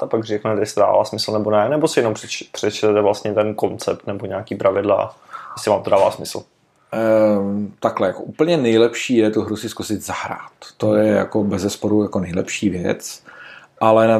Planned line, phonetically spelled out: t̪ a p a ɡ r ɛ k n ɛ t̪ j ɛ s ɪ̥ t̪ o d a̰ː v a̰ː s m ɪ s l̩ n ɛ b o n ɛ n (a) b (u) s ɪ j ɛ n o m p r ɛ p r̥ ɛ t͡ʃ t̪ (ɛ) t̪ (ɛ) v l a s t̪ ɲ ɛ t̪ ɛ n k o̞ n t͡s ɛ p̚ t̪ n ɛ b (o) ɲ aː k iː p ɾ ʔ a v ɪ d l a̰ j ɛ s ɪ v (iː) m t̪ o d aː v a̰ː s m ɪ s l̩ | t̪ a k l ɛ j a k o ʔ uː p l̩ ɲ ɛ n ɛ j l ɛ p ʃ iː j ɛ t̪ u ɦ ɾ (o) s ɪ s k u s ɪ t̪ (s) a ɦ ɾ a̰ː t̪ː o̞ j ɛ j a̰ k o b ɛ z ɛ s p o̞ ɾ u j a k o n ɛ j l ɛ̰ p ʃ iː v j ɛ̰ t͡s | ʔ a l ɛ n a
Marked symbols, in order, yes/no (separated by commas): no, no, yes, yes, yes, no, no, no